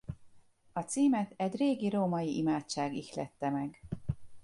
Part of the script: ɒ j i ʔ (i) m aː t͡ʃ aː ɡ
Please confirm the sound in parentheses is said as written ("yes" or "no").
yes